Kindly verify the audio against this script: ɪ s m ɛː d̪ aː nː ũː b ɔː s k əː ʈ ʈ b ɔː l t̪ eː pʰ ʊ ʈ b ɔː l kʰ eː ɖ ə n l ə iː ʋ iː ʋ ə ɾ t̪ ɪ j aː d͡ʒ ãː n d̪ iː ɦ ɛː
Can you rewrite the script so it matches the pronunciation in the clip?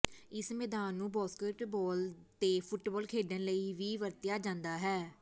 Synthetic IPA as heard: ɪ s m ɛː d̪ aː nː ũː b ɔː s k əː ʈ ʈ b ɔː l t̪ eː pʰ ʊ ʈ b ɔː l kʰ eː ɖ ə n l ə iː ʋ iː ʋ ə ɾ t̪ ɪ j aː d͡ʒ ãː n d̪ aː ɦ ɛː